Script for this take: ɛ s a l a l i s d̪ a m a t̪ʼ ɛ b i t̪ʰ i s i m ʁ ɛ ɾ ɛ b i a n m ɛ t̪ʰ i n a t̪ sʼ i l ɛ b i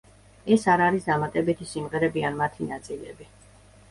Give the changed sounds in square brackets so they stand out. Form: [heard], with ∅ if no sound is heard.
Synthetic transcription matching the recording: ɛ s a [ɾ] a [ɾ] i s d̪ a m a t̪ʼ ɛ b i t̪ʰ i s i m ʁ ɛ ɾ ɛ b i a n m [a] t̪ʰ i n a t̪ sʼ i l ɛ b i

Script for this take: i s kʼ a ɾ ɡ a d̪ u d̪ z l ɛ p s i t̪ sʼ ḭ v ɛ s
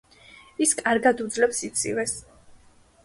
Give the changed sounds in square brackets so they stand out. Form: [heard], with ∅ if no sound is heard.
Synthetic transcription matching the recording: i s kʼ a ɾ ɡ a d̪ u d̪ z l ɛ p s i t̪ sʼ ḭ v ɛ s

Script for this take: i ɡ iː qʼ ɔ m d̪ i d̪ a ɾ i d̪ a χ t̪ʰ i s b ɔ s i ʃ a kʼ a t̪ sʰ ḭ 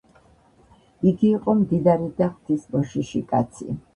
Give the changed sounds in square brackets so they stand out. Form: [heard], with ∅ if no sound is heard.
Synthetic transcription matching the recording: i ɡ iː qʼ ɔ m d̪ i d̪ a ɾ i d̪ a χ t̪ʰ i s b ɔ [ʃ] i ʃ [i] kʼ a t̪ sʰ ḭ

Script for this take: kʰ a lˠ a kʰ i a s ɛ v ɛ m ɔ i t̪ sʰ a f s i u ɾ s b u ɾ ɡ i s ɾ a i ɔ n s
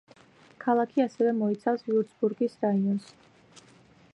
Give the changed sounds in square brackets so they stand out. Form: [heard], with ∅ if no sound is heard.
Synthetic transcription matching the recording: kʰ a lˠ a kʰ i a s ɛ v ɛ m ɔ i t̪ sʰ a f s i u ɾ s b u ɾ ɡ i s ɾ a i ɔ n s

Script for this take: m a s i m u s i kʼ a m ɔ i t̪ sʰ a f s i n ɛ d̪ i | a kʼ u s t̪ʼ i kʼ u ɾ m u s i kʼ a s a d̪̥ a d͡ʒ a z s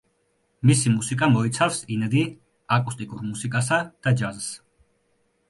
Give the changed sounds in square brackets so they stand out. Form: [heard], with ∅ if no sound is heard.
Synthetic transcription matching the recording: m [i] s i m u s i kʼ a m ɔ i t̪ sʰ a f s i n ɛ d̪ i | a kʼ u s t̪ʼ i kʼ u ɾ m u s i kʼ a s a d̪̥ a d͡ʒ a z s

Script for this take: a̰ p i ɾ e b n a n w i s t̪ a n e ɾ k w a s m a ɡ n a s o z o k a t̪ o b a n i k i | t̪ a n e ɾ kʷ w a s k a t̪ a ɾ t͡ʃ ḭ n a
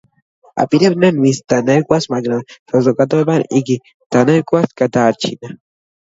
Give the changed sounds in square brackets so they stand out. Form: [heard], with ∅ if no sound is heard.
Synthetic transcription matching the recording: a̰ p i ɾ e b n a n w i s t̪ a n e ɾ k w a s m a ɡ n a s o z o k a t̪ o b a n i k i | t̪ a n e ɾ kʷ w a s k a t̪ a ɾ t͡ʃ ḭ n a

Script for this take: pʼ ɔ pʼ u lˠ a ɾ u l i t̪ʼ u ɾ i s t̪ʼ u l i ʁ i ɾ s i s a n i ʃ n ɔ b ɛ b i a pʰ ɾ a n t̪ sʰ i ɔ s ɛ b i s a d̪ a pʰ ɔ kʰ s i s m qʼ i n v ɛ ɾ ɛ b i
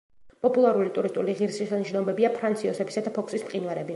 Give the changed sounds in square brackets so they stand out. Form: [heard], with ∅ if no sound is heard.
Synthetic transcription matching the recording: pʼ ɔ pʼ u lˠ a ɾ u l i t̪ʼ u ɾ i s t̪ʼ u l i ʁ i ɾ s i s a n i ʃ n ɔ b ɛ b i a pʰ ɾ a n t̪ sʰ i ɔ s ɛ b i s a d̪ a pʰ ɔ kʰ s i s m qʼ i n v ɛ ɾ ɛ b i

